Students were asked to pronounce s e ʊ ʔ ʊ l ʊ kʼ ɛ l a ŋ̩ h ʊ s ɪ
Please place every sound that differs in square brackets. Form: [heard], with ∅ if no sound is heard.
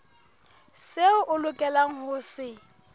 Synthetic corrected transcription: s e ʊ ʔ ʊ l ʊ kʼ ɛ l a ŋ̩ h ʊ s ɪ